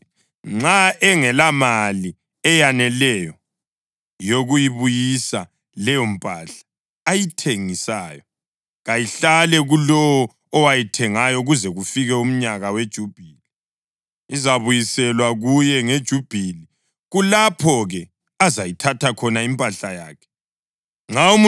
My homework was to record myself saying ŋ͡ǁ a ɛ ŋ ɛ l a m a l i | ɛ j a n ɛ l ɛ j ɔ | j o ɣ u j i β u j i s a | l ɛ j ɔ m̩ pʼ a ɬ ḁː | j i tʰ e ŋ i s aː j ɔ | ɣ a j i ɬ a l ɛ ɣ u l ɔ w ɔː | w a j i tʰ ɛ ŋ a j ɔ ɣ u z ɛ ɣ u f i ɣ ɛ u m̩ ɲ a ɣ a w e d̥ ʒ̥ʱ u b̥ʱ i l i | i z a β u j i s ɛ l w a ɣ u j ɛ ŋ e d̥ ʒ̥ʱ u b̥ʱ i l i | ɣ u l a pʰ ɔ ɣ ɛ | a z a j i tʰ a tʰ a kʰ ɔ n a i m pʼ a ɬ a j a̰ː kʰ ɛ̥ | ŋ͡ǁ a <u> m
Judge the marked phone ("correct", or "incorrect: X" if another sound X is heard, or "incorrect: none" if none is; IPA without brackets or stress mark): correct